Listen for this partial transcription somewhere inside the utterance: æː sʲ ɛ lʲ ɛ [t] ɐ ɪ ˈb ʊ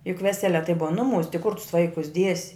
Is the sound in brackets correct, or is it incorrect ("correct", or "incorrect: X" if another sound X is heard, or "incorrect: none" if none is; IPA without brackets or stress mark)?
correct